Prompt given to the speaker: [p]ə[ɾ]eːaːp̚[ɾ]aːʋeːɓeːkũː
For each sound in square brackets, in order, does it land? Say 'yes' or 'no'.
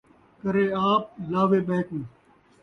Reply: no, yes, no

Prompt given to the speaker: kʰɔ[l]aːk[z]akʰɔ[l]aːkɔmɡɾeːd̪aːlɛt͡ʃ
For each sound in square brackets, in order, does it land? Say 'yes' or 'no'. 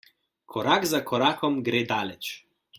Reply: no, yes, no

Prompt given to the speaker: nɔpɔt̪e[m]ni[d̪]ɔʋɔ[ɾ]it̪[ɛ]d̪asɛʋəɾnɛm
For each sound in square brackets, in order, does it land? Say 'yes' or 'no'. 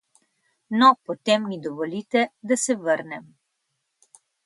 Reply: yes, yes, no, yes

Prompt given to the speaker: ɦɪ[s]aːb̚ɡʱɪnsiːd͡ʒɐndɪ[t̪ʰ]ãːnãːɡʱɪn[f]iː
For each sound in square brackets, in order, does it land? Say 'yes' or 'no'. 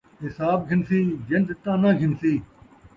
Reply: yes, no, no

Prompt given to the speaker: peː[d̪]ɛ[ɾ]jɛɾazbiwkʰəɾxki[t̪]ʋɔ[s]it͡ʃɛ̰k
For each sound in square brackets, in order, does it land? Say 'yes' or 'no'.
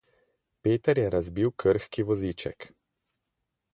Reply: no, yes, no, no

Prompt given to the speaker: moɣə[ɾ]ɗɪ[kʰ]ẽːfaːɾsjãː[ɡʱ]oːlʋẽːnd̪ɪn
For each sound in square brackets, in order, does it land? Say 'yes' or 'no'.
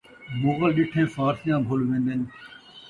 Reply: no, no, no

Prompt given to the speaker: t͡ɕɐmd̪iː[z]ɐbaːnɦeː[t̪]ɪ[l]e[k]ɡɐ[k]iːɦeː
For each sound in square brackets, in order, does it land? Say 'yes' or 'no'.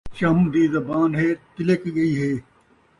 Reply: yes, yes, yes, yes, no

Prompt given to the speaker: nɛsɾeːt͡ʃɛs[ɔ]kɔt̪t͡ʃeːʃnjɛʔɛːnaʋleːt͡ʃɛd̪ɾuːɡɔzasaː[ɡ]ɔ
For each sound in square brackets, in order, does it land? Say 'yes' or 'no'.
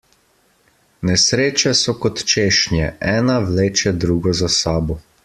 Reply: yes, no

